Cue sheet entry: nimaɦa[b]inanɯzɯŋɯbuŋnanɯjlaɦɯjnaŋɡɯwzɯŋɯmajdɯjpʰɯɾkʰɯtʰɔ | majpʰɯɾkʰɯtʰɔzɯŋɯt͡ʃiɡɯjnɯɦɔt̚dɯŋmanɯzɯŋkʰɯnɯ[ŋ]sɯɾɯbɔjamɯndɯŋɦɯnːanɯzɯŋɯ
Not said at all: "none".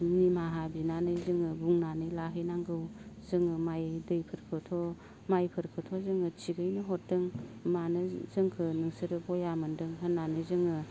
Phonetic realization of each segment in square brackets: b, ŋ

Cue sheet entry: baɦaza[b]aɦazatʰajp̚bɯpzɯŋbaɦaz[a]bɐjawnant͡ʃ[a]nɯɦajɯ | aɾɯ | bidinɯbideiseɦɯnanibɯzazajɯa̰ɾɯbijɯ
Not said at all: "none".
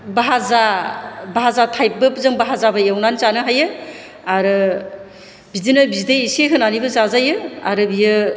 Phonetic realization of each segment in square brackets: b, a, a

